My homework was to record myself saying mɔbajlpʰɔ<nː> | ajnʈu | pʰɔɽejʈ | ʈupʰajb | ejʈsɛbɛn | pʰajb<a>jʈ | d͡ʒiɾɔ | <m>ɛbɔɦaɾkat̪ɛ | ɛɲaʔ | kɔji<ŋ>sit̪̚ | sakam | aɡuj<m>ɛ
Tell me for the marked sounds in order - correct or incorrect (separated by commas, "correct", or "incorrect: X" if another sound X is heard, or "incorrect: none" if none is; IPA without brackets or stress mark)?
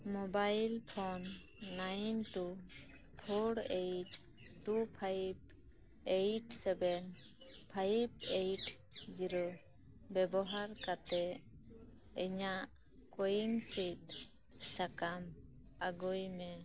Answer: correct, incorrect: e, incorrect: b, correct, correct